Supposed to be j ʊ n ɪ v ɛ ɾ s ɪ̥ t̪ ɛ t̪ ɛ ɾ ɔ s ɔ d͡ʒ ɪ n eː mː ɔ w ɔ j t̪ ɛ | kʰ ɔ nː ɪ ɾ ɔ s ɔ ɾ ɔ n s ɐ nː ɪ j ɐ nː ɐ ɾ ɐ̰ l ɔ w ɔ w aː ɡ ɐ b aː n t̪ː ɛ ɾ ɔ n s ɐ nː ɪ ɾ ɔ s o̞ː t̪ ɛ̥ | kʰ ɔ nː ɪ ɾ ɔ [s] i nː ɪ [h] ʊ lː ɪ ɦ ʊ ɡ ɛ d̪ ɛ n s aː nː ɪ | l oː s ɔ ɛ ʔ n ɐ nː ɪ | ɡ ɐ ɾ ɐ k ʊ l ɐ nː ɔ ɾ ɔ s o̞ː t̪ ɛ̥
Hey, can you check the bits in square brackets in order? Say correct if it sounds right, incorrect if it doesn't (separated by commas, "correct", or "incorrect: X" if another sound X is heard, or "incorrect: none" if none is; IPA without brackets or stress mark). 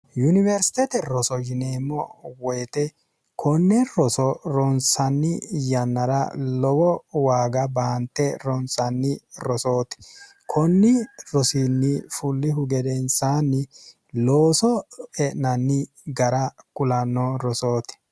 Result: correct, incorrect: f